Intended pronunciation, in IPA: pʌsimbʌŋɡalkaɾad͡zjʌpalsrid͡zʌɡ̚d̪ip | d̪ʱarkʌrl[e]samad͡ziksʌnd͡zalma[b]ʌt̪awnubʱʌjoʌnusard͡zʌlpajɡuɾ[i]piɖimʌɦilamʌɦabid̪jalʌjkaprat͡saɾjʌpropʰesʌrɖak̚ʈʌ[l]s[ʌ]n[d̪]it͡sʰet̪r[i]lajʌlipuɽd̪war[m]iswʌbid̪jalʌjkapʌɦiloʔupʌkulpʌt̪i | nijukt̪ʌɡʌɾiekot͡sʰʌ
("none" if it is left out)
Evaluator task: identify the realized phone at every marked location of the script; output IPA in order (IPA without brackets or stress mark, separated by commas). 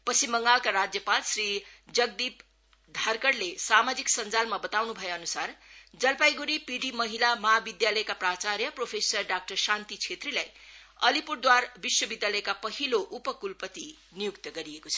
e, b, i, r, a, t̪, i, b